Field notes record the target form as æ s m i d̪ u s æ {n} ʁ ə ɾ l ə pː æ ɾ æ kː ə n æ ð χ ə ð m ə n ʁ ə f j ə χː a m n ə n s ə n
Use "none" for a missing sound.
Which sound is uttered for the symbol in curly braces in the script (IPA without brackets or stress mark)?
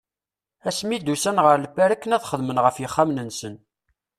n